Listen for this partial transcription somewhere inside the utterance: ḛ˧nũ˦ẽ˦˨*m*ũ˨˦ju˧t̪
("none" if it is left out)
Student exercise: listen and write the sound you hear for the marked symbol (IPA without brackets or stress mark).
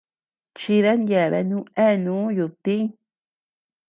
n